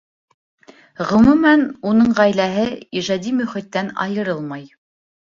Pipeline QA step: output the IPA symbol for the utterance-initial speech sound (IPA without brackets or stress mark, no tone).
ʁ